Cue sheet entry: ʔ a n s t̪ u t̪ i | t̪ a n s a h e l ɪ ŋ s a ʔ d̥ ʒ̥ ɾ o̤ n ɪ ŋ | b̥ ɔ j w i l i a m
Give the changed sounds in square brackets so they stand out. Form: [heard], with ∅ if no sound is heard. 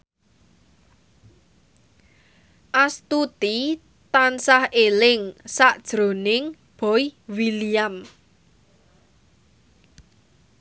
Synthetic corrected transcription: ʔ a [∅] s t̪ u t̪ i | t̪ a n s a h e l ɪ ŋ s a ʔ d̥ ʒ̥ ɾ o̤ n ɪ ŋ | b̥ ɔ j w i l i a m